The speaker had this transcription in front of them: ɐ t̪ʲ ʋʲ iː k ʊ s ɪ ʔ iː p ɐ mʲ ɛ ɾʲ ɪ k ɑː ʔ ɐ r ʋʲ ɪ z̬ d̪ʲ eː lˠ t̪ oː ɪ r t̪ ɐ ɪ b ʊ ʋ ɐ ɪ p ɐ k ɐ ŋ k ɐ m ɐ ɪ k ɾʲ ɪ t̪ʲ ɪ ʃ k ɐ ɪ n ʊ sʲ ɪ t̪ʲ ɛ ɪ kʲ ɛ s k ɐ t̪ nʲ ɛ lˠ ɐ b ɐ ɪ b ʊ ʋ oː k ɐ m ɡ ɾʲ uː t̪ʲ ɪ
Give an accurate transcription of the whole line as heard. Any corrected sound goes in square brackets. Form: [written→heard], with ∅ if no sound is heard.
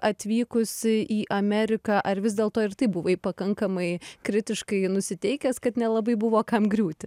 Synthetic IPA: ɐ t̪ʲ ʋʲ iː k ʊ s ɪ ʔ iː [p→ʔ] ɐ mʲ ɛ ɾʲ ɪ k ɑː ʔ ɐ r ʋʲ ɪ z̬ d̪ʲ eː lˠ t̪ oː ɪ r t̪ ɐ ɪ b ʊ ʋ ɐ ɪ p ɐ k ɐ ŋ k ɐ m ɐ ɪ k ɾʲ ɪ t̪ʲ ɪ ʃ k ɐ ɪ n ʊ sʲ ɪ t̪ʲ ɛ ɪ kʲ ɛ s k ɐ t̪ nʲ ɛ lˠ ɐ b ɐ ɪ b ʊ ʋ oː k ɐ m ɡ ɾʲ uː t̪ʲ ɪ